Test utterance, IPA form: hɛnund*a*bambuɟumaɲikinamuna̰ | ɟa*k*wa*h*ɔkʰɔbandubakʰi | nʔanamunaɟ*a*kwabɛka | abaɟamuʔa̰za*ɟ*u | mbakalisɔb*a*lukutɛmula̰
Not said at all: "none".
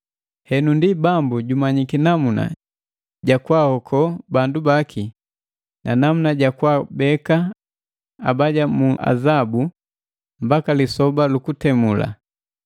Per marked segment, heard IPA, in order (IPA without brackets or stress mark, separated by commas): i, k, h, a, b, a